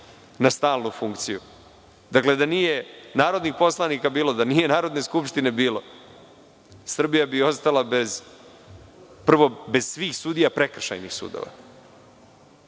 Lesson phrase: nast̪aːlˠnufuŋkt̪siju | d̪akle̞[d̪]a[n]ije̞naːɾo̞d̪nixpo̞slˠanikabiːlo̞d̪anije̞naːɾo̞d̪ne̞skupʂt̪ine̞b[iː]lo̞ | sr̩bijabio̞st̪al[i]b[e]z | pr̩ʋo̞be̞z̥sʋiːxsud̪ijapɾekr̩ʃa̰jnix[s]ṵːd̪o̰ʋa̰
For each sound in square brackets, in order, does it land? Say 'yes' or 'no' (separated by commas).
yes, yes, yes, no, yes, yes